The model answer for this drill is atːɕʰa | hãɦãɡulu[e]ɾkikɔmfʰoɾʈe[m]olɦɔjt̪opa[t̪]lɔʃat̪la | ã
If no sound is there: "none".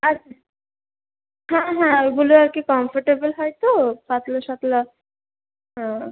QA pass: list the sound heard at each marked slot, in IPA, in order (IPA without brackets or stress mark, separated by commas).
a, b, t̪